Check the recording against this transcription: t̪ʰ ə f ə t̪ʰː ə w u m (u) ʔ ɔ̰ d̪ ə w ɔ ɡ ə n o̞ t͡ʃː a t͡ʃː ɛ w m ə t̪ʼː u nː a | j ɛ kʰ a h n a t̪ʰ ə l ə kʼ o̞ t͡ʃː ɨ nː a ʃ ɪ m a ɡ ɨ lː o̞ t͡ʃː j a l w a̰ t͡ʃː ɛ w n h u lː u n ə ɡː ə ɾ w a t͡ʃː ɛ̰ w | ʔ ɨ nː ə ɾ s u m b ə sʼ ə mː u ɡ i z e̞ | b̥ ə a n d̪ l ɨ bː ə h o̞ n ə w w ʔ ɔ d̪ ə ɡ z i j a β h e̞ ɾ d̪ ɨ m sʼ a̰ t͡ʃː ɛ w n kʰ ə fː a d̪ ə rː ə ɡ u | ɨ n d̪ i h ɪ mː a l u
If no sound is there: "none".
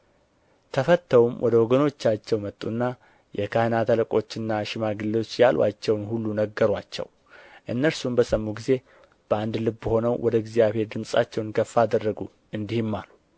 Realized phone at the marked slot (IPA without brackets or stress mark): w